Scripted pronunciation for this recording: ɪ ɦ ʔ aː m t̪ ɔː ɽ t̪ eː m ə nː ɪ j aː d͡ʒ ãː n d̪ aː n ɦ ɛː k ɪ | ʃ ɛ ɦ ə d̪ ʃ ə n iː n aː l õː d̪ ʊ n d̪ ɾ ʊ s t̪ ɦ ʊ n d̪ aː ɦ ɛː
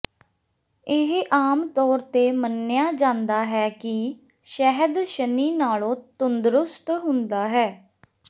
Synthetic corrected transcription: ɪ ɦ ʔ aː m t̪ ɔː ɾ t̪ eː m ə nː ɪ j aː d͡ʒ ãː n d̪ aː ɦ ɛː k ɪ | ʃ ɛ ɦ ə d̪ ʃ ə n iː n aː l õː t̪ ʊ n d̪ ɾ ʊ s t̪ ɦ ʊ n d̪ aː ɦ ɛː